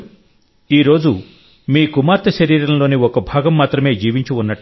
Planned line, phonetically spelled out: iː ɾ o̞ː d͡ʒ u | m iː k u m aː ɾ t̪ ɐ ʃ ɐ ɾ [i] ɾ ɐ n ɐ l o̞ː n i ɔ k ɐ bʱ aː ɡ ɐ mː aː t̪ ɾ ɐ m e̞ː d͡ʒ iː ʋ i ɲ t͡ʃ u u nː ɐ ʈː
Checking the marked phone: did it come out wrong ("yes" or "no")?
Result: yes